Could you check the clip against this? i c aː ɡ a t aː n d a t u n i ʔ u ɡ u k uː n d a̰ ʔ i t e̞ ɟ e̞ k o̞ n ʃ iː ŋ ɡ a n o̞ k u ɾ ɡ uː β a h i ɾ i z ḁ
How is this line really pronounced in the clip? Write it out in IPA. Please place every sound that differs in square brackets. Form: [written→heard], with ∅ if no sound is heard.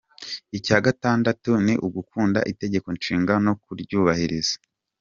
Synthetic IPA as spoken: i c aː ɡ a t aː n d a t u n i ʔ u ɡ u k uː n d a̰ ʔ i t e̞ ɟ e̞ k o̞ n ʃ iː ŋ ɡ a n o̞ k u ɾ [ɡ→ɟ] uː β a h i ɾ i z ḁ